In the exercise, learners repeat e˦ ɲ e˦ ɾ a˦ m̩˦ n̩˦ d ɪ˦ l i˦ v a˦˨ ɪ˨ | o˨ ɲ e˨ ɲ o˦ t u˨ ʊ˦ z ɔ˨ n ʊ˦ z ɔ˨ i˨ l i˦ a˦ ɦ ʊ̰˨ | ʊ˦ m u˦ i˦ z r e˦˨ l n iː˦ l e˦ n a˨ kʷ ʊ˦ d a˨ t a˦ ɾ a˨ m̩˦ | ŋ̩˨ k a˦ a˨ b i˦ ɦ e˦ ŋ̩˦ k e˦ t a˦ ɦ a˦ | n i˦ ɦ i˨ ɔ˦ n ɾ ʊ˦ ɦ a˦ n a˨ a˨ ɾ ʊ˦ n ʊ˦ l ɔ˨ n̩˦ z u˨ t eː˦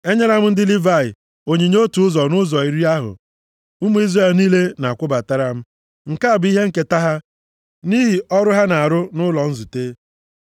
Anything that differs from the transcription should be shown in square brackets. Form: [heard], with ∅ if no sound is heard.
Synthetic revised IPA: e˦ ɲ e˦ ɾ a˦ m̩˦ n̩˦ d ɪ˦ l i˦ v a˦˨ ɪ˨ | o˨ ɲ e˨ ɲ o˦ t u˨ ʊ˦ z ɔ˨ n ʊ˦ z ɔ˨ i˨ [ɾ] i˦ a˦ ɦ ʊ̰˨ | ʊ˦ m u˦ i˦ z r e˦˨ l n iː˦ l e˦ n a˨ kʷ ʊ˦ [b] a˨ t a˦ ɾ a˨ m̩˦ | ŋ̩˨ k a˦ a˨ b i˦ ɦ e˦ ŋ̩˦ k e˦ t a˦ ɦ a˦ | n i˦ ɦ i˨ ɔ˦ [∅] ɾ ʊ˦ ɦ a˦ n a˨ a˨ ɾ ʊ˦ n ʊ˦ l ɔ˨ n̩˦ z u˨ t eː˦